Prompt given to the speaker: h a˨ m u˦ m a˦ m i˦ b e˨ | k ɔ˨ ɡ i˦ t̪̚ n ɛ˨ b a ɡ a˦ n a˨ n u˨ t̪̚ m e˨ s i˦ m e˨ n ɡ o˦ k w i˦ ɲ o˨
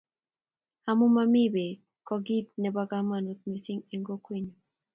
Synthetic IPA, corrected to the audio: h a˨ m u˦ m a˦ m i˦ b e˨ | k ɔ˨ ɡ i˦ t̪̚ n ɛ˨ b a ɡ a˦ m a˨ n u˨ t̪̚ m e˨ s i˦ ŋ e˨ ŋ ɡ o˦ k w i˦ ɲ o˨